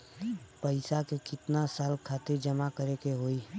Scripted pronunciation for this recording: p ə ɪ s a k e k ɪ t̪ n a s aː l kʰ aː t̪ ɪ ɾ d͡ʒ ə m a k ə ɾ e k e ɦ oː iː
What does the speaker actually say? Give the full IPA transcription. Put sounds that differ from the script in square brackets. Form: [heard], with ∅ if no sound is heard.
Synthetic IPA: p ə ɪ s a k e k ɪ t̪ n a s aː l kʰ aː t̪ ɪ ɾ d͡ʒ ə m a k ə ɾ e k e ɦ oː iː